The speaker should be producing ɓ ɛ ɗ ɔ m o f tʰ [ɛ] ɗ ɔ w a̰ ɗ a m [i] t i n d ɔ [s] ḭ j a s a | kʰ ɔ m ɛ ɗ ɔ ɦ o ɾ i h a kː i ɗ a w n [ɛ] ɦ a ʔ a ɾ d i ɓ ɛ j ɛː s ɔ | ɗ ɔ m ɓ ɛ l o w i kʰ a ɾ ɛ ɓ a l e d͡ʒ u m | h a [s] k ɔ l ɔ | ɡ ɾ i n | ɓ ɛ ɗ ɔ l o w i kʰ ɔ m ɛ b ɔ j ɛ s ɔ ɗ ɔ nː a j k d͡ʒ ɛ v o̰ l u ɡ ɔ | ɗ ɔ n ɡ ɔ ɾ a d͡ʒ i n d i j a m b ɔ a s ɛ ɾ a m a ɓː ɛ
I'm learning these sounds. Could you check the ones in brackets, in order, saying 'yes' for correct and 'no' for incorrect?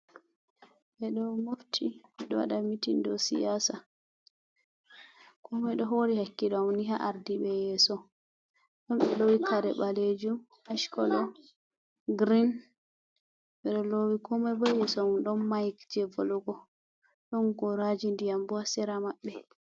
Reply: no, yes, yes, no, no

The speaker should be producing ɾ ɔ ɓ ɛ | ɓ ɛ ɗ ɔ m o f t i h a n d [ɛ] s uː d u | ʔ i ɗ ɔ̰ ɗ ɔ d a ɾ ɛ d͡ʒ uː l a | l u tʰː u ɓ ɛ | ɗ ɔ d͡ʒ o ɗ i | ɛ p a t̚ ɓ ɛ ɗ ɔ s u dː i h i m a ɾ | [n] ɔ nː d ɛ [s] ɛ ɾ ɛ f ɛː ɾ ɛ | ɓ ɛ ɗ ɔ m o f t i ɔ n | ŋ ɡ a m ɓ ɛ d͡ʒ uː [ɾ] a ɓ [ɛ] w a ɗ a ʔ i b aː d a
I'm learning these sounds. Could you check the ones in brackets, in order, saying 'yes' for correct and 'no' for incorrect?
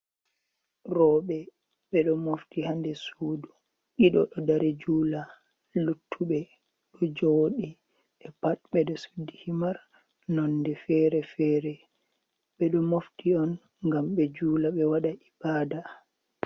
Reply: yes, yes, no, no, yes

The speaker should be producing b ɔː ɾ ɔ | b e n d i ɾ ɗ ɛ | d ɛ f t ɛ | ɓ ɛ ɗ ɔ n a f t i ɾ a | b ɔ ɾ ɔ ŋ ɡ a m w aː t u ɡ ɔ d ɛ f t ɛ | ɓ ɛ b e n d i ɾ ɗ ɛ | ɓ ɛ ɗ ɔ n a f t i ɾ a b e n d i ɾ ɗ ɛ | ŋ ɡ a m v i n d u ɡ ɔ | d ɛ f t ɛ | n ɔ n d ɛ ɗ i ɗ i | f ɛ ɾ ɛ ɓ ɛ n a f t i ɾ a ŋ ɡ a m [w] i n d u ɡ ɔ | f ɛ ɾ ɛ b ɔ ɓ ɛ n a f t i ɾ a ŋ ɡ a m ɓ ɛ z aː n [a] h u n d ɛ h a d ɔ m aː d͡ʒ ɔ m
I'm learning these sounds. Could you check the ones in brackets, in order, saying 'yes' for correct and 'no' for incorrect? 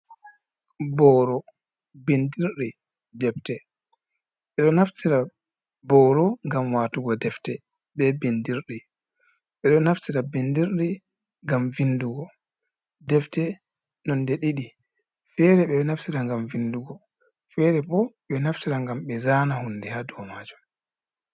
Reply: no, yes

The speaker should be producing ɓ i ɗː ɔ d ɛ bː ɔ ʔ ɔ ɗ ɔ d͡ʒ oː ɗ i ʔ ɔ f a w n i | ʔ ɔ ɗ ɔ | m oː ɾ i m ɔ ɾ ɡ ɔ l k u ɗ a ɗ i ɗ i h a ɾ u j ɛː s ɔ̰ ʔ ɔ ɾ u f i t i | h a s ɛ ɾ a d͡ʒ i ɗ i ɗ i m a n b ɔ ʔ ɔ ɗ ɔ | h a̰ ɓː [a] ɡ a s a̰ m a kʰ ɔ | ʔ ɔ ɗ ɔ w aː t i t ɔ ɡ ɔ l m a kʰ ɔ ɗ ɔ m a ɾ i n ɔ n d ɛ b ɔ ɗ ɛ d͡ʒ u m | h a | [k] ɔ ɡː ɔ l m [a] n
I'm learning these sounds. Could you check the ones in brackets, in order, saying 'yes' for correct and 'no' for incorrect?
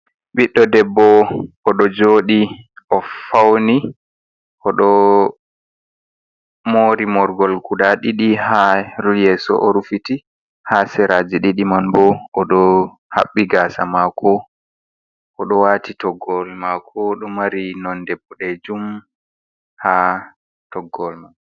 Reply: no, no, yes

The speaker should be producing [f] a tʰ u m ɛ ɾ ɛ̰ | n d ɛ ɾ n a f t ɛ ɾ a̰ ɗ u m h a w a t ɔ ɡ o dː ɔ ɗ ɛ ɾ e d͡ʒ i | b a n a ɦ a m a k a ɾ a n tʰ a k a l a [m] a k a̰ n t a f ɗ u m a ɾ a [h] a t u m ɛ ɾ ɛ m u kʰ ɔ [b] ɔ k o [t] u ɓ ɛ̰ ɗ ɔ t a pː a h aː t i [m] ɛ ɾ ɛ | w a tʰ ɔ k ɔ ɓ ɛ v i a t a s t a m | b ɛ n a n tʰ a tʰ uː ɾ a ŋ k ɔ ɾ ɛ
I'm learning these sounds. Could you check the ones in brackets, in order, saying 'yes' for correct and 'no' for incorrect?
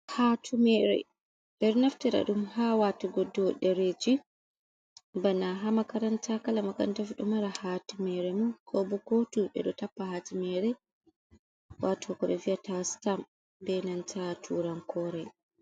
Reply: no, yes, yes, yes, yes, yes

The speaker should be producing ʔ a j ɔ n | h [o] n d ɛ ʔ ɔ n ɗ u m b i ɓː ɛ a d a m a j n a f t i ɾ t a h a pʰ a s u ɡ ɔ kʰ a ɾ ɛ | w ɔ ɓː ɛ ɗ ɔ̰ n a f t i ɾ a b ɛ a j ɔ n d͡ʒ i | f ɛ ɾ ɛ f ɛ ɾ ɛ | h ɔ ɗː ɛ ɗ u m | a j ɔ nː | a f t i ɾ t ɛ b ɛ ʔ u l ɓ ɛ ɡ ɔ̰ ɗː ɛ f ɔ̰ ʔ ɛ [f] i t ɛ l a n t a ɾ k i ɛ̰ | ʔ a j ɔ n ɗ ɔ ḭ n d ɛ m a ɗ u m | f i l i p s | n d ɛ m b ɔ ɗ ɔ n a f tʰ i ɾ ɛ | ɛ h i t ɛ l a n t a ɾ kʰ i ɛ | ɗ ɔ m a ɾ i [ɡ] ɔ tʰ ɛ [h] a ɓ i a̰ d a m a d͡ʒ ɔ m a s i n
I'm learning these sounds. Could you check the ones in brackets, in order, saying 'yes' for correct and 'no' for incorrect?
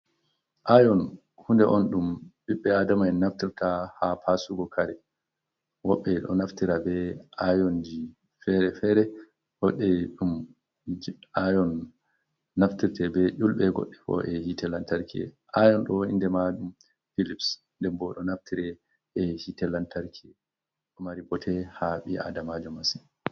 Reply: no, no, no, yes

